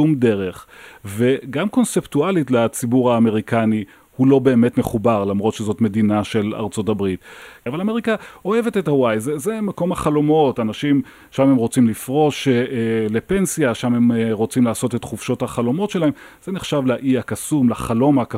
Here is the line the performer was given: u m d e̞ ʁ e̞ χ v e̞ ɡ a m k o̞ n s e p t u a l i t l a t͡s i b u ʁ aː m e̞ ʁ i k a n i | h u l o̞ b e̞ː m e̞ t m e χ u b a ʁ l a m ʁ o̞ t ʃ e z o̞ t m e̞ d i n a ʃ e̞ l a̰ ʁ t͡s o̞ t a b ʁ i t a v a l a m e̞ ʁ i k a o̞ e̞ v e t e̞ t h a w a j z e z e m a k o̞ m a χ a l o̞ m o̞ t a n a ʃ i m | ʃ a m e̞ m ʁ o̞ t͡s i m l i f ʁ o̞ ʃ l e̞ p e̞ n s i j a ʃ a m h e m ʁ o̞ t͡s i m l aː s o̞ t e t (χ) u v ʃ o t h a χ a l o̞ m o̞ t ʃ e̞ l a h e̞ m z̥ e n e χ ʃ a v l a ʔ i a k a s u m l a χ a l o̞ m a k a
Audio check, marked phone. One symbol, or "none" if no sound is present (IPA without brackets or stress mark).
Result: χ